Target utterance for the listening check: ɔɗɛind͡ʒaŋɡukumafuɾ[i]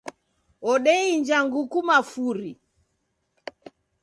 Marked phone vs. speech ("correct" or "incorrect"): correct